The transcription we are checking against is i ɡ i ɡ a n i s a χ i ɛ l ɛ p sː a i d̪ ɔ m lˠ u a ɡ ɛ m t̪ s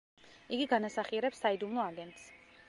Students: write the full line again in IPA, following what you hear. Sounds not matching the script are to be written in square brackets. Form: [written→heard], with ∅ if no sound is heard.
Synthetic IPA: i ɡ i ɡ a n [i→a] s a χ i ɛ [l→ɾ] ɛ p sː a i d̪ [ɔ→u] m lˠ [u→ɔ] a ɡ ɛ [m→n] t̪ s